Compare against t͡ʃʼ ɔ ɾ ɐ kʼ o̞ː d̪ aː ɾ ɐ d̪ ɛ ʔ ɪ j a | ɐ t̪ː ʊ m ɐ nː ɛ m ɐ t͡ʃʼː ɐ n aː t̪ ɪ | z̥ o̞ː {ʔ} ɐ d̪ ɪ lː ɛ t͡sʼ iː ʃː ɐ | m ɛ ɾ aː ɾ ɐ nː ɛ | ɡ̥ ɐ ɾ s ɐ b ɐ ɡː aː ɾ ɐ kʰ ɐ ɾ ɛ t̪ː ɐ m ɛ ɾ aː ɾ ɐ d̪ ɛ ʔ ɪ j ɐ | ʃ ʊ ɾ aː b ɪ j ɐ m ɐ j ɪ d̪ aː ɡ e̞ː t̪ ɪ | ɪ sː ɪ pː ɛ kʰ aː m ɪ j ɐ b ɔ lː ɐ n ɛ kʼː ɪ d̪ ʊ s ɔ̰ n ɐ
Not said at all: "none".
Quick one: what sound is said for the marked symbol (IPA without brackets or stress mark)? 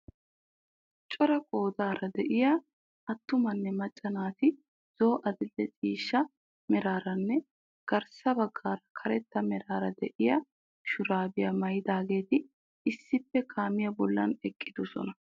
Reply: ʔ